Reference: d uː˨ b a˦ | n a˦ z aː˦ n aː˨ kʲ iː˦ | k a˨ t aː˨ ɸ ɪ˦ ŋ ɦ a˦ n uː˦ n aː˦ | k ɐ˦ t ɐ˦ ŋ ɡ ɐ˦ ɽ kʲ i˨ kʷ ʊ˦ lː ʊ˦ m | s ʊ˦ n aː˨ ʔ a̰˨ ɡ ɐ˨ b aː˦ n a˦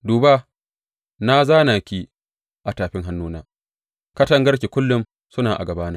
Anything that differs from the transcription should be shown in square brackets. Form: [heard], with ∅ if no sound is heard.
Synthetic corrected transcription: d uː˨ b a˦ | n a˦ z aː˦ n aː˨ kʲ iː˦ | [ʔ] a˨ t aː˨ ɸ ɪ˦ ŋ ɦ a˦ [nː] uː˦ n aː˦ | k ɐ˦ t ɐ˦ ŋ ɡ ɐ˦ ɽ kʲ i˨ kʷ ʊ˦ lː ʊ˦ m | s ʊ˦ n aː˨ ʔ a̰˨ ɡ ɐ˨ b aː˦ n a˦